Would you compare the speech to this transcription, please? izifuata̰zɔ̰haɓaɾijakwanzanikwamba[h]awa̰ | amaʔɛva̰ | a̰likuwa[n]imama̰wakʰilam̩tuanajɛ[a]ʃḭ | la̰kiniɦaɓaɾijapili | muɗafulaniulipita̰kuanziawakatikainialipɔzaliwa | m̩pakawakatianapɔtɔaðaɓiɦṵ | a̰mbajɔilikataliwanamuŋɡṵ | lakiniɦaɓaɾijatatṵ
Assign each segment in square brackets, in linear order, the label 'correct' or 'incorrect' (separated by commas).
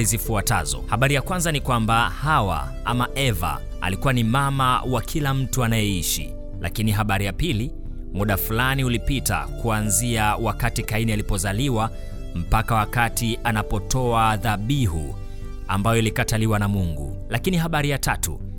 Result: correct, correct, incorrect